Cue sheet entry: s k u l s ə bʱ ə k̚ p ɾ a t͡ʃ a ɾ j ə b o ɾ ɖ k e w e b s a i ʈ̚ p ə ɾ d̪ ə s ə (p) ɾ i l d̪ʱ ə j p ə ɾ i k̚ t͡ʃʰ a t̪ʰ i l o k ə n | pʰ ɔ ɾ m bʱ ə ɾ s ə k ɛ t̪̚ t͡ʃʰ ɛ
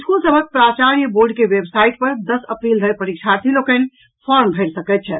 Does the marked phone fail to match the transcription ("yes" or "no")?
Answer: no